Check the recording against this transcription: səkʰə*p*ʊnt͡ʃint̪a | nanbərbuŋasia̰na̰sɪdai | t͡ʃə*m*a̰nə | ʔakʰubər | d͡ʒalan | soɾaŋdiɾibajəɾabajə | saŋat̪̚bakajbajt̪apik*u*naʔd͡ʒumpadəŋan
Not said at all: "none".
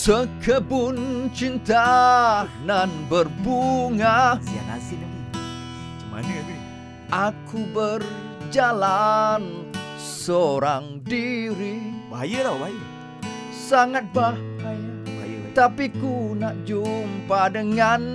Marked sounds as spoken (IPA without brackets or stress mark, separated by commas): b, m, u